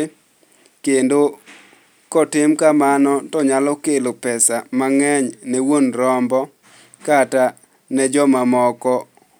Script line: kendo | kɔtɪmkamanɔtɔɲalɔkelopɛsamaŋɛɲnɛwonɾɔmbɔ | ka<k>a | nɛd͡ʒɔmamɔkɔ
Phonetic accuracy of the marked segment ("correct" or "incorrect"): incorrect